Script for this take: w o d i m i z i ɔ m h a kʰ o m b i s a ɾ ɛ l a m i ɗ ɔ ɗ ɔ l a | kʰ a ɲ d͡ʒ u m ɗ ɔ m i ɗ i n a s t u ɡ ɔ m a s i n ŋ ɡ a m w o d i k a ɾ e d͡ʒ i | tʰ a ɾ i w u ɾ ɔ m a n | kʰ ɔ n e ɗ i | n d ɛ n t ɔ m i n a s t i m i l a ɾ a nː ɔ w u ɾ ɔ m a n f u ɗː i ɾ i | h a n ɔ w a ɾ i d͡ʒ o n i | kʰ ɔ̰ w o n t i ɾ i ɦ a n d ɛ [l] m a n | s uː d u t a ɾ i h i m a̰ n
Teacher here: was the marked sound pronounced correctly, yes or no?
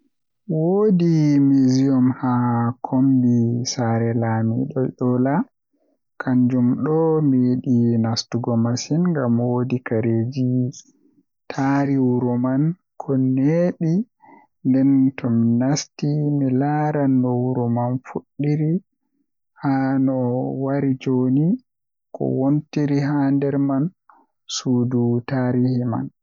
no